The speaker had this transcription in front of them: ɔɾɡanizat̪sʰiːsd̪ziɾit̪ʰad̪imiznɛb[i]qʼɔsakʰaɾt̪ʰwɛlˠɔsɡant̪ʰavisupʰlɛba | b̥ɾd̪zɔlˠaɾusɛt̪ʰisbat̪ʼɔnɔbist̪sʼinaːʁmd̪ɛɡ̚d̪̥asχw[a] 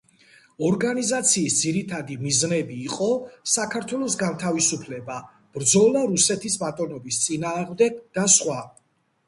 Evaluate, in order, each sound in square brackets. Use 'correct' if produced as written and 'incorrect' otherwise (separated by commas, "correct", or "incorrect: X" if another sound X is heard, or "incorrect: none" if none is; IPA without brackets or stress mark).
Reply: incorrect: iː, correct